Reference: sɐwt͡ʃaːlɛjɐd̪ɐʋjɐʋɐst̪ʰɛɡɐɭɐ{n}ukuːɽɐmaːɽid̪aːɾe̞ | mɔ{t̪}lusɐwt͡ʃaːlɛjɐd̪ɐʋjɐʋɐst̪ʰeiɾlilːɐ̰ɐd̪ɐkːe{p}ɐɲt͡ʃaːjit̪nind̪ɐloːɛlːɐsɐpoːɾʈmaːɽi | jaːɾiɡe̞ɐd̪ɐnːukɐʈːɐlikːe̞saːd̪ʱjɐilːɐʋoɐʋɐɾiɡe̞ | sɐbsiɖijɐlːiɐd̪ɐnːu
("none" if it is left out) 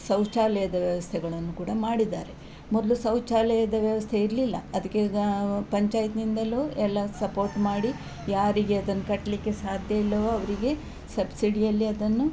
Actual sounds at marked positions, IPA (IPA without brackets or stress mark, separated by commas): nː, d̪, p